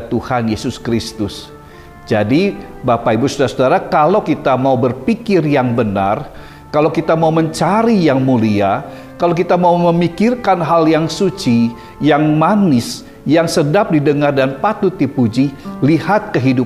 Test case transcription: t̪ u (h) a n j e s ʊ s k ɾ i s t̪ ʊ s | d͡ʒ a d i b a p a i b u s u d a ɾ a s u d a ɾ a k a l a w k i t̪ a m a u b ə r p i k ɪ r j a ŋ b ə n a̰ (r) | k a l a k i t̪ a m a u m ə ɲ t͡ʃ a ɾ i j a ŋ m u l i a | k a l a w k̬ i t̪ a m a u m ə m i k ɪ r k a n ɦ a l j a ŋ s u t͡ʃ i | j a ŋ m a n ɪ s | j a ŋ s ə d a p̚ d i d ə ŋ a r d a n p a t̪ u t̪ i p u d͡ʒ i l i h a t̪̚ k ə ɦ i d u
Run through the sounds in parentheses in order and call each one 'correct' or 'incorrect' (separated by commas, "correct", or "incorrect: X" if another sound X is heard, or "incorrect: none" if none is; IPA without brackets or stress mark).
correct, correct